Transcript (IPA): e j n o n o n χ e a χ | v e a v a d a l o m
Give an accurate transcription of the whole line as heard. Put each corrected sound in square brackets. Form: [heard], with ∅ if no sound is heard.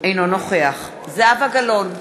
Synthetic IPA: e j n o n o [∅] χ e a χ | [z] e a v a [ɡ] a l o [n]